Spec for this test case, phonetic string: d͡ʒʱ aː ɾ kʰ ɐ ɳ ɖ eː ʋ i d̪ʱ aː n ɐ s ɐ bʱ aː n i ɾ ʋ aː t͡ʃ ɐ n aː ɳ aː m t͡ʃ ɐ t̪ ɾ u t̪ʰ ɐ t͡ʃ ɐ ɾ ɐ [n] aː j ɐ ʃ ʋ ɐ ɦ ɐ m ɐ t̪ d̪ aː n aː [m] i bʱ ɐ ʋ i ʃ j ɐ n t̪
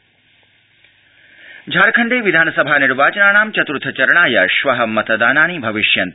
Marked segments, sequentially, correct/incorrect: incorrect: ɳ, incorrect: n

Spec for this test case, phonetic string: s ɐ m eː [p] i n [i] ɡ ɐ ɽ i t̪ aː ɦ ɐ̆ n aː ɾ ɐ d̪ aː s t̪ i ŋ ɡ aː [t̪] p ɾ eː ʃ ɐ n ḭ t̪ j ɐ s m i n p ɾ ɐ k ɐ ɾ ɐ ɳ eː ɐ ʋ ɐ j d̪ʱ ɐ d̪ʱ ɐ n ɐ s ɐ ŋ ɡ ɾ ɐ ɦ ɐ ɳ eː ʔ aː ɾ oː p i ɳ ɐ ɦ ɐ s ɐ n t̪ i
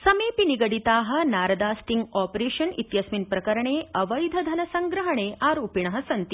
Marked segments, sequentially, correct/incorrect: correct, correct, incorrect: none

